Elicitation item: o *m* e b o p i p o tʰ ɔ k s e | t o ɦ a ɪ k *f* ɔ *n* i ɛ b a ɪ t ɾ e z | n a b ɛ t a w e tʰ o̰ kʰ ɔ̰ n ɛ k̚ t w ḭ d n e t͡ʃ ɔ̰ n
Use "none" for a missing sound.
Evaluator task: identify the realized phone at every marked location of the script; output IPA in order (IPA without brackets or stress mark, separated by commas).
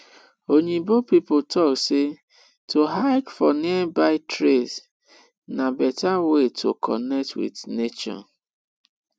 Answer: ɲ, f, n